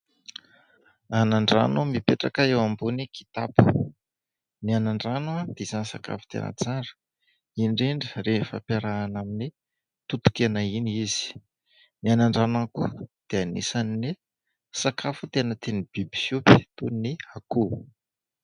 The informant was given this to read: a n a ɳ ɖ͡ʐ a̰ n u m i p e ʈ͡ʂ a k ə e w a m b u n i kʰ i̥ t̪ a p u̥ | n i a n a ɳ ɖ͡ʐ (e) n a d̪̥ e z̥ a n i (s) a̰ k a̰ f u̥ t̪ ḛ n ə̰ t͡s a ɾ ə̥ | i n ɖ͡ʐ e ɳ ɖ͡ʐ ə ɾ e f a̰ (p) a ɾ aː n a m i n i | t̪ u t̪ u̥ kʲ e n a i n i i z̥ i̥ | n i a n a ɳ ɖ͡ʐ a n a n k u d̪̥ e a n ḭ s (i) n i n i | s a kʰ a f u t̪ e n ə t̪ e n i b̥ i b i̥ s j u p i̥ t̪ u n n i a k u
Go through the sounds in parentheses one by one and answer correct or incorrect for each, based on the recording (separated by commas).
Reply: incorrect, correct, correct, incorrect